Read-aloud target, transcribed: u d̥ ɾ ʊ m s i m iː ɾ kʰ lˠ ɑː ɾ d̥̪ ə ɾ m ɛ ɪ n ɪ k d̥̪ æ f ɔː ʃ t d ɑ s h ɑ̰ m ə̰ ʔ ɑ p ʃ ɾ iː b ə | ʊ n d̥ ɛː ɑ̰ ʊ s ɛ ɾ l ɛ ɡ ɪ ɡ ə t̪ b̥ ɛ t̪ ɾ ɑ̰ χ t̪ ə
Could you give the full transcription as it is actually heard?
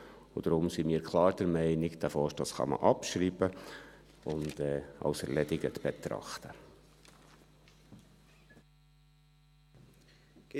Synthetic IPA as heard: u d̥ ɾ ʊ m s i m iː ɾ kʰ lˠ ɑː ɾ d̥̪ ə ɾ m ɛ ɪ n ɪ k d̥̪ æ f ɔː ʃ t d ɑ s χ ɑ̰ m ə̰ ʔ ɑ p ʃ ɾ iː b ə | ʊ n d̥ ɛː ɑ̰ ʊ s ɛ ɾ l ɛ d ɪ ɡ ə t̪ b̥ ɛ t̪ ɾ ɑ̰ χ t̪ ə